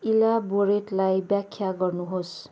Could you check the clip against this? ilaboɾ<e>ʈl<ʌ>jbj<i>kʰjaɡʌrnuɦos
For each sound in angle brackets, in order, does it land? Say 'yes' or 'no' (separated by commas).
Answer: yes, no, no